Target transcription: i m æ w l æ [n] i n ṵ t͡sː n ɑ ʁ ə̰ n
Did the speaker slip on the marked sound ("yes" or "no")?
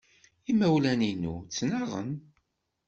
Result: no